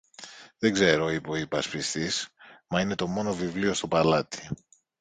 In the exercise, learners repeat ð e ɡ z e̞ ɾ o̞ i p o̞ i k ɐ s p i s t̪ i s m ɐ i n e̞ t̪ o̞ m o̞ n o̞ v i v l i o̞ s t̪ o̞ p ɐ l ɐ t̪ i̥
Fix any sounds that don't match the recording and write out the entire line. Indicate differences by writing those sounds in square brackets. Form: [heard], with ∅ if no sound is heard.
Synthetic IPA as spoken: ð e ɡ z e̞ ɾ o̞ i p o̞ i [p] ɐ s p i s t̪ i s m ɐ i n e̞ t̪ o̞ m o̞ n o̞ v i v l i o̞ s t̪ o̞ p ɐ l ɐ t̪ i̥

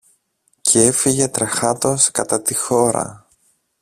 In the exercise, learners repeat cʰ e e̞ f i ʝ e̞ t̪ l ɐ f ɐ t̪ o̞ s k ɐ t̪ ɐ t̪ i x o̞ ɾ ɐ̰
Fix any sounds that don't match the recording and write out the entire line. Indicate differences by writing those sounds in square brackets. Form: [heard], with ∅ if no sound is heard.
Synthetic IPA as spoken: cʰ e e̞ f i ʝ e̞ t̪ [ɾ] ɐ [x] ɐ t̪ o̞ s k ɐ t̪ ɐ t̪ i x o̞ ɾ ɐ̰

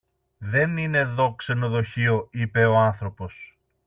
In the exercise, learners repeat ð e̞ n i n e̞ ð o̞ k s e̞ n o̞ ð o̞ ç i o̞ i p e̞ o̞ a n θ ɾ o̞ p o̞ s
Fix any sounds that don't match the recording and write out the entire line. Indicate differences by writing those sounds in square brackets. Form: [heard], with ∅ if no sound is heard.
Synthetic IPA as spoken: ð e̞ n i n e̞ ð o̞ k s e̞ n o̞ ð o̞ ç i o̞ i p e̞ o̞ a n θ ɾ o̞ p o̞ s

